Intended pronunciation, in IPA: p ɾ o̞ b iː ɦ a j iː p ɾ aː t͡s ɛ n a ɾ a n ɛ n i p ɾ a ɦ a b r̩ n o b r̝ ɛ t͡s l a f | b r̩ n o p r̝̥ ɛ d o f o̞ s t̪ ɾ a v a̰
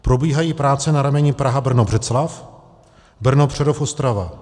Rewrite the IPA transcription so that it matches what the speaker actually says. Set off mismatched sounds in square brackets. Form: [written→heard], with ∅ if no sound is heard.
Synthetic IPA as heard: p ɾ o̞ b iː ɦ a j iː p ɾ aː t͡s ɛ n a ɾ a [n→m] ɛ [n→ɲ] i p ɾ a ɦ a b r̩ n o b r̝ ɛ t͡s l a f | b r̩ n o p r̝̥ ɛ d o f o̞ s t̪ ɾ a v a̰